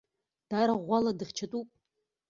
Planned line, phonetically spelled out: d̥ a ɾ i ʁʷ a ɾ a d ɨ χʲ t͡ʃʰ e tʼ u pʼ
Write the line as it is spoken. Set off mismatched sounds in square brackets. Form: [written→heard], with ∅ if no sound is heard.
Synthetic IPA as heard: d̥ a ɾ [i→a] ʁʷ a [ɾ→l] a d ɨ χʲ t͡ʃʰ [e→a] tʼ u pʼ